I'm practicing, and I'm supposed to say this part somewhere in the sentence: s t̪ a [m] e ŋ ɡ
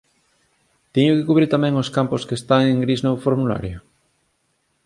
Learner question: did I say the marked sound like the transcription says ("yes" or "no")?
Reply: no